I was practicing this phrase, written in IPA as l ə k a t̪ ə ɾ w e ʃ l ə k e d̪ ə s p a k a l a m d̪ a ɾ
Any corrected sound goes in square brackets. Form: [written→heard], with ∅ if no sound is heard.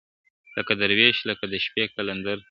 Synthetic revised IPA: l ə k a [t̪→d̪] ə ɾ w e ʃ l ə k [e→a] d̪ ə [s→ʃ] p [a→e] k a l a [m→n] d̪ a ɾ